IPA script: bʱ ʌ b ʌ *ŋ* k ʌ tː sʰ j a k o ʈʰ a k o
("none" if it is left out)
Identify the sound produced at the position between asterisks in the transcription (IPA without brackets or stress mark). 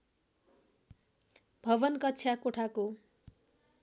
n